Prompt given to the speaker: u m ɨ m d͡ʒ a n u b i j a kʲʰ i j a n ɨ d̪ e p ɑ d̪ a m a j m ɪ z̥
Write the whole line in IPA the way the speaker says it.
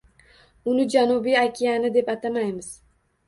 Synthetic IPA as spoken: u n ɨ d͡ʒ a n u b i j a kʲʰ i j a n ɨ d̪ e p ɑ t̪ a m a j m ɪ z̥

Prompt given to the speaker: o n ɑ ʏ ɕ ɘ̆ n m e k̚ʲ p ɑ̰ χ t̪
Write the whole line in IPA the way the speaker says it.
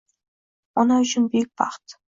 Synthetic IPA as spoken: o n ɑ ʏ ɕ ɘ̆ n b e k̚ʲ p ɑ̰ χ t̪

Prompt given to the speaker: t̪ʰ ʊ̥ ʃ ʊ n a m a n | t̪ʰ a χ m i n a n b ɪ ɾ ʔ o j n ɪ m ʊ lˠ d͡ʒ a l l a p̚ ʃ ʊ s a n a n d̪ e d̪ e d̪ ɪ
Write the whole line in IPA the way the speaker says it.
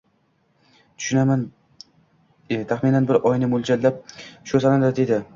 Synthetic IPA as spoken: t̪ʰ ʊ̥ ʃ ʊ n a m a n | t̪ʰ a χ m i n a n b ɪ ɾ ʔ ɒ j n ɪ m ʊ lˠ d͡ʒ a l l a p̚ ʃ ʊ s a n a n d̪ a d̪ e d̪ ɪ

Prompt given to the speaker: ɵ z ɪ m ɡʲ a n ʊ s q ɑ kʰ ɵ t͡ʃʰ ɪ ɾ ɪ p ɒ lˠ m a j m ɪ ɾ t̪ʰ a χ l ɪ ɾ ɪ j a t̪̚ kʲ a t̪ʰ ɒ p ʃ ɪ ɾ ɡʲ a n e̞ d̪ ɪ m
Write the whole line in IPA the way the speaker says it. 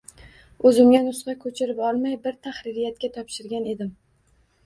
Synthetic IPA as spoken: ɵ z ɪ m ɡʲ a n ʊ s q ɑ kʰ ɵ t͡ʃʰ ɪ ɾ ɪ p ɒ lˠ m a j b ɪ ɾ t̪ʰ a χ ɾ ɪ ɾ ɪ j a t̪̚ kʲ a t̪ʰ ɒ p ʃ ɪ ɾ ɡʲ a n e̞ d̪ ɪ m

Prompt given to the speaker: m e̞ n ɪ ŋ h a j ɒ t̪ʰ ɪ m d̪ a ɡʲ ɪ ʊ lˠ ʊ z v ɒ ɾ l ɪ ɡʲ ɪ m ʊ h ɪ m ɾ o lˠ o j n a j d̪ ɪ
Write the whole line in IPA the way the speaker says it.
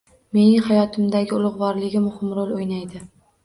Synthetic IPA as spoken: m e̞ n ɪ ŋ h a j ɒ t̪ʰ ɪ m d̪ a ɡʲ ɪ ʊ lˠ ʊ ʁ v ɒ ɾ l ɪ ɡʲ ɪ m ʊ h ɪ m ɾ o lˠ o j n a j d̪ ɪ

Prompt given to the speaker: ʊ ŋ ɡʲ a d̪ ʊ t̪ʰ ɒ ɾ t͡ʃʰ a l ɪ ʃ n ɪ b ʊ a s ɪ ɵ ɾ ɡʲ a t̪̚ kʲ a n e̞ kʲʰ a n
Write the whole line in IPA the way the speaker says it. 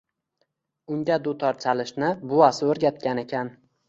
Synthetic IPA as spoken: ʊ ŋ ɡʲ a d̪ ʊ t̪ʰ ɒ ɾ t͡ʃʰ a l ɪ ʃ n ɪ b ʊ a s ɪ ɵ ɾ ɡʲ a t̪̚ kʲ a n e̞ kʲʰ a n

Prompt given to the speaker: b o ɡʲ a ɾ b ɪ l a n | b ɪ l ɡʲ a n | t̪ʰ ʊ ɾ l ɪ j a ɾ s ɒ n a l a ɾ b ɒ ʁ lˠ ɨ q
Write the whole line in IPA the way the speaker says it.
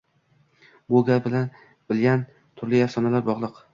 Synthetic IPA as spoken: b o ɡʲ a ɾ b ɪ l a n | b ɪ l ɡʲ a n | t̪ʰ ʊ ɾ l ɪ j a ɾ s ɒ n a l a ɾ b ɒ ʁ lˠ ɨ q

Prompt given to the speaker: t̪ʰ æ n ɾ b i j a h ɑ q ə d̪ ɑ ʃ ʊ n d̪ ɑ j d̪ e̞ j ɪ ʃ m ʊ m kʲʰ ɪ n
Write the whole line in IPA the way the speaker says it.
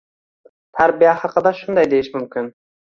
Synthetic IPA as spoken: t̪ʰ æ ɾ b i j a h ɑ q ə d̪ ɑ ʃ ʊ n d̪ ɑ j d̪ e̞ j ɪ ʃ m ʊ m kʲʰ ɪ n

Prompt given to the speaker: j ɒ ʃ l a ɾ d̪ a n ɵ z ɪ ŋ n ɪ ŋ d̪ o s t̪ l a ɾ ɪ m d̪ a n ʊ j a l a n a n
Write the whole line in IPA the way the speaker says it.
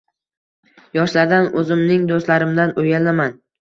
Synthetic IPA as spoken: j ɒ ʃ l a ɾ d̪ a n ɵ z ɪ m n ɪ ŋ d̪ o s t̪ l a ɾ ɪ m d̪ a n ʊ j a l a m a n

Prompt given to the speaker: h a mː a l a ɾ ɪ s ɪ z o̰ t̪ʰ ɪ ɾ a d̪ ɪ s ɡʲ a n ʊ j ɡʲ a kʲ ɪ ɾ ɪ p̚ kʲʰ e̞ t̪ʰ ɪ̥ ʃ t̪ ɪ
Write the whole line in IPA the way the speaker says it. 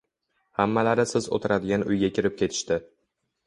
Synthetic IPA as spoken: h a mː a l a ɾ ɪ s ɪ z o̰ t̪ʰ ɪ ɾ a d̪ ɪ ɡʲ a n ʊ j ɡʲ a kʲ ɪ ɾ ɪ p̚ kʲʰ e̞ t̪ʰ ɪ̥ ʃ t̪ ɪ

